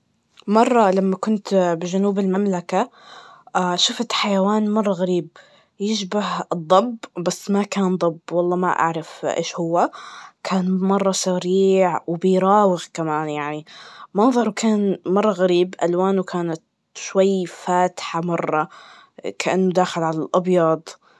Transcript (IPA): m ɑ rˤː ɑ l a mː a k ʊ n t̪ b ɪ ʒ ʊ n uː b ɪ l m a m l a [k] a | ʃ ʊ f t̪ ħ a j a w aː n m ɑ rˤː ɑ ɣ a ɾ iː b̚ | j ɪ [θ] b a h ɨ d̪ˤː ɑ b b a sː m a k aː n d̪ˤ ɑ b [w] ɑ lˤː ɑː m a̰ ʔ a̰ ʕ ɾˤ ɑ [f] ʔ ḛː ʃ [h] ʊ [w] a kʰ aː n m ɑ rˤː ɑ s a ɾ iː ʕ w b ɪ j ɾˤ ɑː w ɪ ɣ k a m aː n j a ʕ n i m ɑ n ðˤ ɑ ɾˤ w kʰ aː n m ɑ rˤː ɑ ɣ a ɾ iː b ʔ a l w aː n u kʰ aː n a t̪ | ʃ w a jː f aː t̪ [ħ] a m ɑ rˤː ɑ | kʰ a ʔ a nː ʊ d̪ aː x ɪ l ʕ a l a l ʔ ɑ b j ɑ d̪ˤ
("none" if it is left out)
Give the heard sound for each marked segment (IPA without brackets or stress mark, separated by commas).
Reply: k, ʃ, w, f, h, wː, ħ